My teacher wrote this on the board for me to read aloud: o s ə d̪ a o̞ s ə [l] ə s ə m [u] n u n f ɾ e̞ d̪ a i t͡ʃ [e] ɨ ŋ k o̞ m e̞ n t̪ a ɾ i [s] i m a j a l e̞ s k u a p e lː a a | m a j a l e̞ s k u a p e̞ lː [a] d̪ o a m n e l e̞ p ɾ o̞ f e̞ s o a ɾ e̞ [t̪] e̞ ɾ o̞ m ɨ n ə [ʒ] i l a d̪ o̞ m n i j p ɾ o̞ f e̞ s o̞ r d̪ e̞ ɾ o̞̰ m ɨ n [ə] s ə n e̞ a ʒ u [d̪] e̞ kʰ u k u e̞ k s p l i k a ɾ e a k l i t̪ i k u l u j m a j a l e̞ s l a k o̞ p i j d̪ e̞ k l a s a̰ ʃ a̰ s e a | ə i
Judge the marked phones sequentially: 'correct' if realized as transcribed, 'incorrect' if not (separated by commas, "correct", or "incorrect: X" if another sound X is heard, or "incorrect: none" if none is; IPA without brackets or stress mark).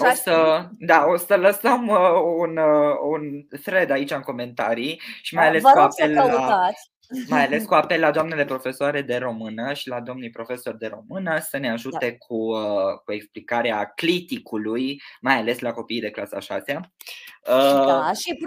correct, correct, incorrect: a, incorrect: ʃ, correct, incorrect: d̪, incorrect: ʃ, correct, incorrect: t̪